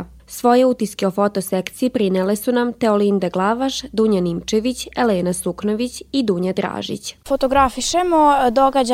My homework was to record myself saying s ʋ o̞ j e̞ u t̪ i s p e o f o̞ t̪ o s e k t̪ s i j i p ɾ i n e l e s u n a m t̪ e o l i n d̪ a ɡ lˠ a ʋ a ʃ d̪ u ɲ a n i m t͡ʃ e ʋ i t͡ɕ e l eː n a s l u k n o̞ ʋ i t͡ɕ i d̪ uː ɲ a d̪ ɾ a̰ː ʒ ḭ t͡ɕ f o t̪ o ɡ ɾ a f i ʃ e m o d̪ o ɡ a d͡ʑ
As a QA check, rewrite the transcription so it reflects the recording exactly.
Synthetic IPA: s ʋ o̞ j e̞ u t̪ i s k e o f o̞ t̪ o s e k t̪ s i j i p ɾ i n e l e s u n a m t̪ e o l i n d̪ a ɡ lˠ a ʋ a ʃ d̪ u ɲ a n i m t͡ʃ e ʋ i t͡ɕ e l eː n a s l u k n o̞ ʋ i t͡ɕ i d̪ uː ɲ a d̪ ɾ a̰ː ʒ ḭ t͡ɕ f o t̪ o ɡ ɾ a f i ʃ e m o d̪ o ɡ a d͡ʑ